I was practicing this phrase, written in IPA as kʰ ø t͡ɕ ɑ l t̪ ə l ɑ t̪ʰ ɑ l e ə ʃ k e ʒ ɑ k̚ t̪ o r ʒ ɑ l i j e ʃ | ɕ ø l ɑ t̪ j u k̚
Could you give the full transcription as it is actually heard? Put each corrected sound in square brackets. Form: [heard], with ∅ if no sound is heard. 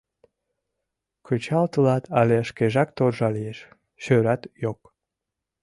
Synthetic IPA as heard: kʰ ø t͡ɕ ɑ l t̪ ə l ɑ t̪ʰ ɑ l e ə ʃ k e ʒ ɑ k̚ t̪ o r ʒ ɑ l i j e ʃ | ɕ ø [ɾ] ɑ t̪ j [o] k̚